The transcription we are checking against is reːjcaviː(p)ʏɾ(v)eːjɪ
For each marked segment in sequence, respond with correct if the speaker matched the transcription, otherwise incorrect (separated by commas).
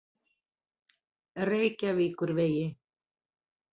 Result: incorrect, correct